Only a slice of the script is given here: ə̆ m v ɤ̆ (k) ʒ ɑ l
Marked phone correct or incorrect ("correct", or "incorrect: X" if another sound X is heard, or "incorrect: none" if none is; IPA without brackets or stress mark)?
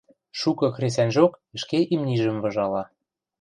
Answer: incorrect: none